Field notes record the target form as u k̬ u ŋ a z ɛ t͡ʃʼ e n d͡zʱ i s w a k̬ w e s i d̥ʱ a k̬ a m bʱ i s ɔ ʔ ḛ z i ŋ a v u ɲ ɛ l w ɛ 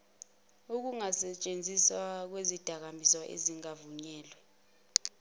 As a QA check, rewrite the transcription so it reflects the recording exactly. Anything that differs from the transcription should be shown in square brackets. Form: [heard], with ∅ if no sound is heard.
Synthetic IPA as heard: u k̬ u ŋ a [s] ɛ t͡ʃʼ e n d͡zʱ i s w a k̬ w e [z] i d̥ʱ a k̬ a m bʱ i s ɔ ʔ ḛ z i ŋ a v u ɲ [ɛː] l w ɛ